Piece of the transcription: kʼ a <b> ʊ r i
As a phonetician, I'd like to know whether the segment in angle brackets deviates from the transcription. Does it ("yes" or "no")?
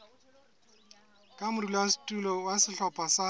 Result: yes